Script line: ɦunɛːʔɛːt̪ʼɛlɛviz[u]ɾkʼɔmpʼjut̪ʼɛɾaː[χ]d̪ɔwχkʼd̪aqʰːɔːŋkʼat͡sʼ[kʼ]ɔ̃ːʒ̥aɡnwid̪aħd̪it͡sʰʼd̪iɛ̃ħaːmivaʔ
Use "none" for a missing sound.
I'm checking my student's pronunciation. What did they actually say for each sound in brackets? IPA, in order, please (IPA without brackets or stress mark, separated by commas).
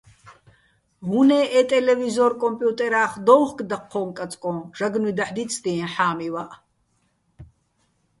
ɔ, χ, kʼ